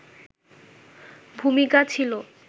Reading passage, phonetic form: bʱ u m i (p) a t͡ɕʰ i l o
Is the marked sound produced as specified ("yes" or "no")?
no